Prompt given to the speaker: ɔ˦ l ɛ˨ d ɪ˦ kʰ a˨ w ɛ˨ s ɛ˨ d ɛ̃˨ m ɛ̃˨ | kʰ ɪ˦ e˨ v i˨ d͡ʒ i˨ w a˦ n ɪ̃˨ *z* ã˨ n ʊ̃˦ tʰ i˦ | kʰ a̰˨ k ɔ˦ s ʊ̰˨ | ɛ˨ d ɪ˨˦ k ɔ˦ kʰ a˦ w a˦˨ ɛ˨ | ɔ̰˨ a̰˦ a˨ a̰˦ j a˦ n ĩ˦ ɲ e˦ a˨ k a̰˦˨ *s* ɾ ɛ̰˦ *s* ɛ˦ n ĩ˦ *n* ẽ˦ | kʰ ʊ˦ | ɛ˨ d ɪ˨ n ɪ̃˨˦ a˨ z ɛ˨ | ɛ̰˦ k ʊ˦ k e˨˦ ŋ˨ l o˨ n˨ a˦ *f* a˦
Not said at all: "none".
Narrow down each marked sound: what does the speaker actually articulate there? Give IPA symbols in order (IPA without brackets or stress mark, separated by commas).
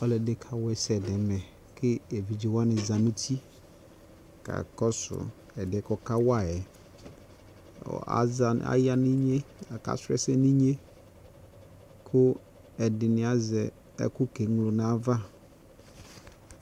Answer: z, s, s, ɲ, v